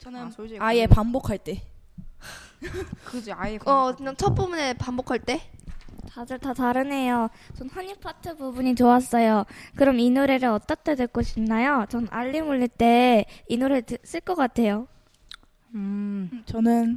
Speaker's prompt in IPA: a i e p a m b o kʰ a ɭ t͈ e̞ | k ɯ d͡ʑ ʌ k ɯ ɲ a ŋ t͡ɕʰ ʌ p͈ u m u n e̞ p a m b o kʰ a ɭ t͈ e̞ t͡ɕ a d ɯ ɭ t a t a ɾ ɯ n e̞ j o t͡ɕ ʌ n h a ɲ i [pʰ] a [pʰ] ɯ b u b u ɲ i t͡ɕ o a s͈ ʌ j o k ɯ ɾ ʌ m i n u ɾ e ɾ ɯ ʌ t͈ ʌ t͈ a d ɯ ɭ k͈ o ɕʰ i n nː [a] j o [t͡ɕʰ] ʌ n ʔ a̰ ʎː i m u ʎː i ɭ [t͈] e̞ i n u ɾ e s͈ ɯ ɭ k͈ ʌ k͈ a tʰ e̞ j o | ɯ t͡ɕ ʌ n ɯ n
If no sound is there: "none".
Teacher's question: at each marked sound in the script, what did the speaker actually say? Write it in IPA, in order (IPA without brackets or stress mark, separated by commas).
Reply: pʰ, tʰ, a, t͡ɕ, t͈